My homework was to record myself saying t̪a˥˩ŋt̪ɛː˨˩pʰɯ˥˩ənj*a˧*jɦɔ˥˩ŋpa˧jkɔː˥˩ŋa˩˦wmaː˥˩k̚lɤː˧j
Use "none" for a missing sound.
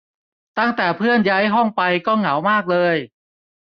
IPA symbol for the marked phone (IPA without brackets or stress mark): a˦˥